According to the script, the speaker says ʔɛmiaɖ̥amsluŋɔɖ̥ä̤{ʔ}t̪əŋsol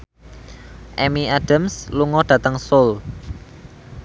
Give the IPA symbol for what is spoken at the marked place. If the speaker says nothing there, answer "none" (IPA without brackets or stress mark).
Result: none